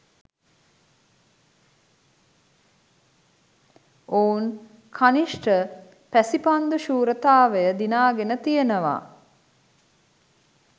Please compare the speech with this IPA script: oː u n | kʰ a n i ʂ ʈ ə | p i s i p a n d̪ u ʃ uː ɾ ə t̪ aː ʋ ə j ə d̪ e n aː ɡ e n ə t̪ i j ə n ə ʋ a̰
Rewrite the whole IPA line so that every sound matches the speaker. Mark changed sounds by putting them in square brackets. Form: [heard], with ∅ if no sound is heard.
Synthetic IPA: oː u n | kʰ a n i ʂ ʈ ə | p [æ] s i p a n d̪ u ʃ uː ɾ ə t̪ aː ʋ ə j ə d̪ [i] n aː ɡ e n ə t̪ i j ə n ə ʋ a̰